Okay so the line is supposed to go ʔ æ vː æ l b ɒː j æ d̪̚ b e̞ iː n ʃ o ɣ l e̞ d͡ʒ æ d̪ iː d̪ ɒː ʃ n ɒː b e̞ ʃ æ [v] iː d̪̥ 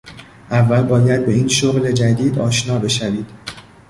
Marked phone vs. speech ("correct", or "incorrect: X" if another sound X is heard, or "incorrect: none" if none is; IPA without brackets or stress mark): correct